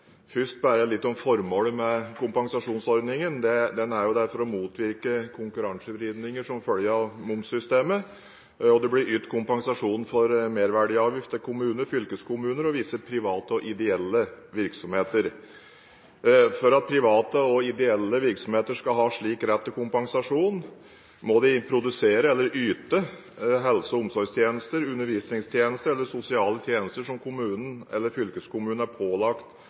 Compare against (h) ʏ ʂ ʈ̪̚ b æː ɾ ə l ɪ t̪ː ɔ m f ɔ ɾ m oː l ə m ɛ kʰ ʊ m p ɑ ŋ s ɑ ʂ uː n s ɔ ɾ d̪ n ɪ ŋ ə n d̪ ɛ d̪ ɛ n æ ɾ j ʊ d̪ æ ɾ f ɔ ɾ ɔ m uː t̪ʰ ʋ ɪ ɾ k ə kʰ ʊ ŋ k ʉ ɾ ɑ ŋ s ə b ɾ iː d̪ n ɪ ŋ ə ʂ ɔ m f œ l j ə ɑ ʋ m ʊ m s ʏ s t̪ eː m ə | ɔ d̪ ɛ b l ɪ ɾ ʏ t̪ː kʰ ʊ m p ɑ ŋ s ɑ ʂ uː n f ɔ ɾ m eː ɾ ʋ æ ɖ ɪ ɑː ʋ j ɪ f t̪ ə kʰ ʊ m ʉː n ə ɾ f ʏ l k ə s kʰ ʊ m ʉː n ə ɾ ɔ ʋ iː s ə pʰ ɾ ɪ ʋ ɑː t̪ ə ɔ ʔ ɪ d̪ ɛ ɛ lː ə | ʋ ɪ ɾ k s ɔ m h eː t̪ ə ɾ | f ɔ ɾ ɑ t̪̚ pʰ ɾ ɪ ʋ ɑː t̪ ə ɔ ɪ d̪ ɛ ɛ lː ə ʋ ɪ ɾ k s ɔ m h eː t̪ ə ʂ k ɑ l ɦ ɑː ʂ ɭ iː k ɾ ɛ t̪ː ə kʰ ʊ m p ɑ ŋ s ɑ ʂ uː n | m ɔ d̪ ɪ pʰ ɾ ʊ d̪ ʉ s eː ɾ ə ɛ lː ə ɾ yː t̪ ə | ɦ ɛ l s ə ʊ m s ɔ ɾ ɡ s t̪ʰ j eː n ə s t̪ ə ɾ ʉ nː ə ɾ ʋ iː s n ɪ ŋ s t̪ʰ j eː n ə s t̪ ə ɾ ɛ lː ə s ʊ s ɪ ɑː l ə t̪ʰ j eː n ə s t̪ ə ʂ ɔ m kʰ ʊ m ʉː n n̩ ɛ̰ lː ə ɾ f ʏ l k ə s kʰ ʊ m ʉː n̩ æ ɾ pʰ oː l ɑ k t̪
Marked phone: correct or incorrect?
incorrect